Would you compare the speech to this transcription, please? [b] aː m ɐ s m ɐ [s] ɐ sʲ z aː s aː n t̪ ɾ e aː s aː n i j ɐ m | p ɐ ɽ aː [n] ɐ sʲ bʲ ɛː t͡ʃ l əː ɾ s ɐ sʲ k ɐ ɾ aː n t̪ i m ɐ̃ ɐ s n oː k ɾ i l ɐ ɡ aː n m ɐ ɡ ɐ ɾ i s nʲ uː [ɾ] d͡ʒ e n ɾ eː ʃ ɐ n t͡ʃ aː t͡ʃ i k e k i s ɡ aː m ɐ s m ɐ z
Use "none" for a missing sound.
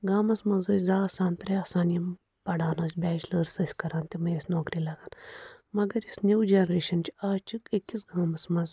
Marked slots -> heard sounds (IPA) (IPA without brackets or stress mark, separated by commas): ɡ, z, n, none